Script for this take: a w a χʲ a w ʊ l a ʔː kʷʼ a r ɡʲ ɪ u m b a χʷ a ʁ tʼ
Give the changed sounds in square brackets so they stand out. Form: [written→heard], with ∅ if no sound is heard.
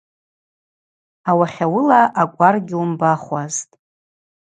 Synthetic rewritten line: a w a χʲ a w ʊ l a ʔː kʷʼ a r ɡʲ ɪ u m b a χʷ a [ʁ→z] tʼ